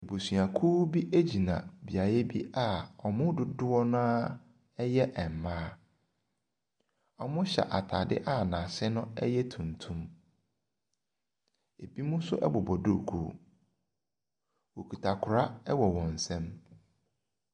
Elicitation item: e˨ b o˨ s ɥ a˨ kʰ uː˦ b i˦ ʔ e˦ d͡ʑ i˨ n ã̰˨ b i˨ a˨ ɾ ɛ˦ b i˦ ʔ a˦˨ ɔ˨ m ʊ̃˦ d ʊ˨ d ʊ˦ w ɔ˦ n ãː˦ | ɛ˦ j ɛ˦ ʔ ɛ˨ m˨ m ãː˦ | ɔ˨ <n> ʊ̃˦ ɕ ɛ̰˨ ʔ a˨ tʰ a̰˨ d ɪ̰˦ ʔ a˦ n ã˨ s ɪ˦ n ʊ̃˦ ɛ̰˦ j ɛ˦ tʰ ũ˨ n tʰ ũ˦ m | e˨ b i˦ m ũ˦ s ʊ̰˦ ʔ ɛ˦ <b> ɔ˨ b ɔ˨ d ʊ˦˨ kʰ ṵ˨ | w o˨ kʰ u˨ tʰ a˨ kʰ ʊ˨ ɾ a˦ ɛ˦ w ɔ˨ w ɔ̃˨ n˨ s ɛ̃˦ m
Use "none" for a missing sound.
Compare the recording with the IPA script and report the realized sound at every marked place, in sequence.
m, b

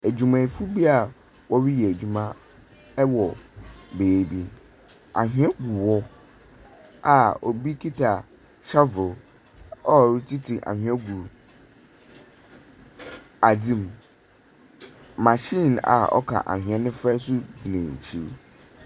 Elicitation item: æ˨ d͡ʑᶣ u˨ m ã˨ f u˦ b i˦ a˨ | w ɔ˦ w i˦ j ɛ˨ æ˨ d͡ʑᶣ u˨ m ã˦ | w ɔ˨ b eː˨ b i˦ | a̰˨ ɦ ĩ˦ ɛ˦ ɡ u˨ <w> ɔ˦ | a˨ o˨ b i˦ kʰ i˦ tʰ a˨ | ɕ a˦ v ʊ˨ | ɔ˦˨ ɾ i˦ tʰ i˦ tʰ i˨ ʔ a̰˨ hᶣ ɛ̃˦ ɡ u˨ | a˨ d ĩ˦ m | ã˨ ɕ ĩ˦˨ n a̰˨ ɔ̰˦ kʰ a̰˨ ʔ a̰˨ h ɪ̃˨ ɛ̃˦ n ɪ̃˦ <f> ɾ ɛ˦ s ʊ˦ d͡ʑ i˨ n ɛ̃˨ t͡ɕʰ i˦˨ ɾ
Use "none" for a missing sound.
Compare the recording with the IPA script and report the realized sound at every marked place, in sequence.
w, f

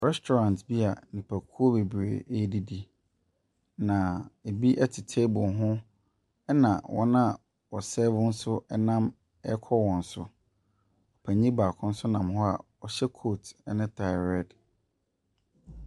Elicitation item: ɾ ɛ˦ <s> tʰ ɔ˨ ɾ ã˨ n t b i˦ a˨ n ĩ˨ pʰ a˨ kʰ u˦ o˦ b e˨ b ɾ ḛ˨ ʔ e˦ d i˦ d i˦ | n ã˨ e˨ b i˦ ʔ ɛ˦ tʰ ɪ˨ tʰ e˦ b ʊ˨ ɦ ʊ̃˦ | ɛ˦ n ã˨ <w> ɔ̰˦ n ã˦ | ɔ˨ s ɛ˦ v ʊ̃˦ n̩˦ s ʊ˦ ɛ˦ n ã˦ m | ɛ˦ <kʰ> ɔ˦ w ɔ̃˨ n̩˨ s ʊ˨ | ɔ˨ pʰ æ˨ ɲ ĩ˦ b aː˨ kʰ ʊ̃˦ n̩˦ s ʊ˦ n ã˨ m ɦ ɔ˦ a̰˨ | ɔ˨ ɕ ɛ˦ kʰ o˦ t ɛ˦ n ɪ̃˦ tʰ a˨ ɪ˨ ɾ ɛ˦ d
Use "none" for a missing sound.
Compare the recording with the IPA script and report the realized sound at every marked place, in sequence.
s, w, kʰ

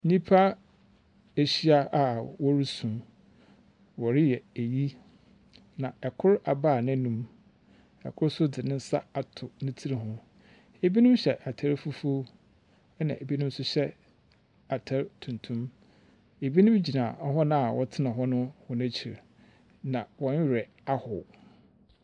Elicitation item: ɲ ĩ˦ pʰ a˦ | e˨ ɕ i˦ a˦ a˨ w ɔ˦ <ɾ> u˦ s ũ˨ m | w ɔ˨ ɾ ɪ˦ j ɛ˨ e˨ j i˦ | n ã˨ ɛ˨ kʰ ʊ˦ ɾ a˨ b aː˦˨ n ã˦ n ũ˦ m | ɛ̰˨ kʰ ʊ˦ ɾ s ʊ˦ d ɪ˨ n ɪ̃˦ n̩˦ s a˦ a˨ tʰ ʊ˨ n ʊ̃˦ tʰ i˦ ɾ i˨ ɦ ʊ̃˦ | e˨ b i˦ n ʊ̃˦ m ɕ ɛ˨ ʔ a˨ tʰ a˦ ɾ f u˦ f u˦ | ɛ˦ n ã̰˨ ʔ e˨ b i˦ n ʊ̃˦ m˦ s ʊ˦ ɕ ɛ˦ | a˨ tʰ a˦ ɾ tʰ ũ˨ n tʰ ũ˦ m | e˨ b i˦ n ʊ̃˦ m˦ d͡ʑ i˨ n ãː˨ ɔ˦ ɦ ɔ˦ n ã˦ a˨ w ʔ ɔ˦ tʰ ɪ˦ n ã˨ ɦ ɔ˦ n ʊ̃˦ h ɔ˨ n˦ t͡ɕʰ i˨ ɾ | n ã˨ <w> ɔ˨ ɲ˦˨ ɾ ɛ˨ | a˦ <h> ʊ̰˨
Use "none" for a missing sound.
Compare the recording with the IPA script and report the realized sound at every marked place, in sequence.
ɾ, w, h

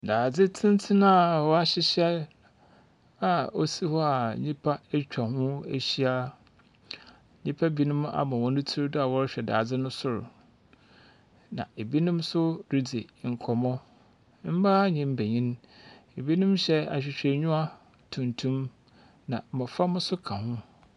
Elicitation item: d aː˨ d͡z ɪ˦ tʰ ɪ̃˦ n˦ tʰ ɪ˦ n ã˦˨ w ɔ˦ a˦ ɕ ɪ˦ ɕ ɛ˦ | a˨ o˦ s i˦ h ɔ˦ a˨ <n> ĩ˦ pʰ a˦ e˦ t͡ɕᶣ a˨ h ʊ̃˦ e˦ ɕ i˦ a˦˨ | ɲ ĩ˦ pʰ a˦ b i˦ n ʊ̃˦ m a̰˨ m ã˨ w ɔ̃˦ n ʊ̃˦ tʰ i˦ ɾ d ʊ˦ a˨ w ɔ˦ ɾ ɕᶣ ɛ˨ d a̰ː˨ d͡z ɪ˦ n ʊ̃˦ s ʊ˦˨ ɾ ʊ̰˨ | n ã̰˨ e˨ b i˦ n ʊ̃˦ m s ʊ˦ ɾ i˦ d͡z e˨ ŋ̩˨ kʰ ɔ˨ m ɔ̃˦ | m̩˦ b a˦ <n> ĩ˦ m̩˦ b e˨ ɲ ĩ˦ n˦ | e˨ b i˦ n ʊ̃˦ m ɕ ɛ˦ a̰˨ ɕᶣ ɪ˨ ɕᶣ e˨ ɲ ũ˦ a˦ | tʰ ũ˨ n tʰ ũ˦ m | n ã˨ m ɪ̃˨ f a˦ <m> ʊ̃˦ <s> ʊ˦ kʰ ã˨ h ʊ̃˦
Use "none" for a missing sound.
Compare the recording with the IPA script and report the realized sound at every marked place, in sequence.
ɲ, ɲ, m, s

